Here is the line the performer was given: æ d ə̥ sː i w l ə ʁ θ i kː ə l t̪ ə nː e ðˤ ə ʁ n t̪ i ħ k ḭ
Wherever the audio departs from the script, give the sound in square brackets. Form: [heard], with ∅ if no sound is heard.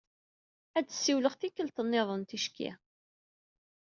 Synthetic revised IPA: æ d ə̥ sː i w l ə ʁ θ i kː ə l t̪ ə nː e ðˤ ə [∅] n t̪ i [ʃ] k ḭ